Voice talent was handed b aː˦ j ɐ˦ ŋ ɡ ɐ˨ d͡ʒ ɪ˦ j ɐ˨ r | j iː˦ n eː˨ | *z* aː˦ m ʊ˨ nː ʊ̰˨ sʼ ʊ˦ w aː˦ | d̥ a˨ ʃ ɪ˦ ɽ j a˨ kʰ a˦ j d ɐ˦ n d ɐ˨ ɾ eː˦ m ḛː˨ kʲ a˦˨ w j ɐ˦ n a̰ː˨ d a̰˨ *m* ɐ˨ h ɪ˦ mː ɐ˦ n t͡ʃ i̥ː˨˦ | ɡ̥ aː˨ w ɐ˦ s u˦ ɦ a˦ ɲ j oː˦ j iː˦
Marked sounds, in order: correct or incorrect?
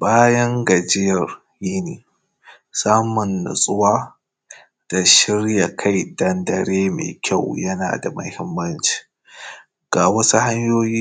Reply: incorrect, correct

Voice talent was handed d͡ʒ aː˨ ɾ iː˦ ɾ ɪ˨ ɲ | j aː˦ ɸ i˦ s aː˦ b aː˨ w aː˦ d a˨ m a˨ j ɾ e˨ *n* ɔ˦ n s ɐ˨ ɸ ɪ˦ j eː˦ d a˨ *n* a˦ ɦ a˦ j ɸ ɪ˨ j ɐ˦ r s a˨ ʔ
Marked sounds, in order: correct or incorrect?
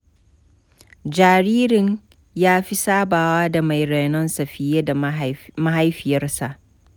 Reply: correct, incorrect

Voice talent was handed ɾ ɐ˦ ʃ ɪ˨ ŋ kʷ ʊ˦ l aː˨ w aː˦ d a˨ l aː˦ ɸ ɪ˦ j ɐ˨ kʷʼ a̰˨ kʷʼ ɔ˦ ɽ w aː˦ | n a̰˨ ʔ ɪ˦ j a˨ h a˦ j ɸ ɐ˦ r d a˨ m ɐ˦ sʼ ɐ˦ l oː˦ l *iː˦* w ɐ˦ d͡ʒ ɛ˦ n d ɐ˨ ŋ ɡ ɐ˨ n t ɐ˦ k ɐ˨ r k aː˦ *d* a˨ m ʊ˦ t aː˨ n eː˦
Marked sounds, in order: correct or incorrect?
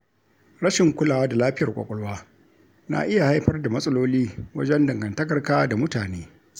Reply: correct, correct

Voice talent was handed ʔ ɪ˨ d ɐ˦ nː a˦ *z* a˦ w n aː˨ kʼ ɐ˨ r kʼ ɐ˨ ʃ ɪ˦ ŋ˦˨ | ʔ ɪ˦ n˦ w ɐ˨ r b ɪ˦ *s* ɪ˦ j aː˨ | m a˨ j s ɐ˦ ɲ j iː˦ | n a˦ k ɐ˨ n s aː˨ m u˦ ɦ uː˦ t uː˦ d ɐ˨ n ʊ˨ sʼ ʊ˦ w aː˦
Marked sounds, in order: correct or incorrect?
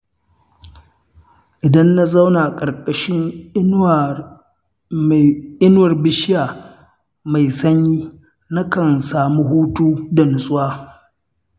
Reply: correct, incorrect

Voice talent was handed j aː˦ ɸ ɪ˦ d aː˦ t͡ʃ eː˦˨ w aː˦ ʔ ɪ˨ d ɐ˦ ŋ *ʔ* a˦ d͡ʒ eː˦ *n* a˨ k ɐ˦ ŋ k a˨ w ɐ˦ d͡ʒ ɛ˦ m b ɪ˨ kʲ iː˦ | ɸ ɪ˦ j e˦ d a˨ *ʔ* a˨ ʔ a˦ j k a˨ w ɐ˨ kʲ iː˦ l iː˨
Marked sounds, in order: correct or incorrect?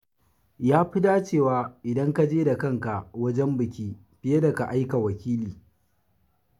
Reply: incorrect, incorrect, incorrect

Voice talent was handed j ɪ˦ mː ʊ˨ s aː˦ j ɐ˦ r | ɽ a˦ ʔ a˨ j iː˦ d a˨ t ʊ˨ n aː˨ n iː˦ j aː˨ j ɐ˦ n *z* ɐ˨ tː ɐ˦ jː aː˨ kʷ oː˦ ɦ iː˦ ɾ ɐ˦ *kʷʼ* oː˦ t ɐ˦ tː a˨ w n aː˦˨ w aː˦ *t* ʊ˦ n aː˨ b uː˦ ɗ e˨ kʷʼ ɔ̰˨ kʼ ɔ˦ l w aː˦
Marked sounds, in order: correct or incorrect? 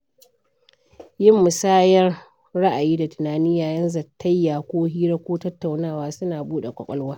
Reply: correct, incorrect, incorrect

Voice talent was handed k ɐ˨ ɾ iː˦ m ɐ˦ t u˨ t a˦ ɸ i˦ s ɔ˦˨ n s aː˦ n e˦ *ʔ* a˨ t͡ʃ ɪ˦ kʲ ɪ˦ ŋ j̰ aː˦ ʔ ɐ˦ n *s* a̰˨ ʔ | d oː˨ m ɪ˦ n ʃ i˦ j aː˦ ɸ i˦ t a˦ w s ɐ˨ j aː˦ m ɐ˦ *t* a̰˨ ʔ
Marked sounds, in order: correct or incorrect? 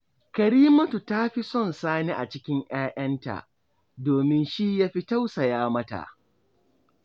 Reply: correct, incorrect, correct

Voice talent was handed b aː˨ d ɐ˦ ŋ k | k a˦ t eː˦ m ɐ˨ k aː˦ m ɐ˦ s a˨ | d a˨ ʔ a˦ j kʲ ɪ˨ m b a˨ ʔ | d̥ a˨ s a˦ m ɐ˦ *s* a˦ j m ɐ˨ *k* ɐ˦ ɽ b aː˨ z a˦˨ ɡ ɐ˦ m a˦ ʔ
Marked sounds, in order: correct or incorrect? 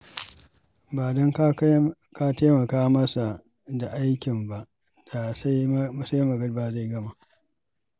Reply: correct, incorrect

